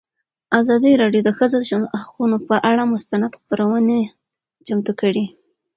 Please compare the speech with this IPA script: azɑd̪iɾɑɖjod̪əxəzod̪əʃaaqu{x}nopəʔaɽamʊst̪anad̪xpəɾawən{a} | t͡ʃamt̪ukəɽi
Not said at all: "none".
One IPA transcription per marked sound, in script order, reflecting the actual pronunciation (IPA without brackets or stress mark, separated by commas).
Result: none, e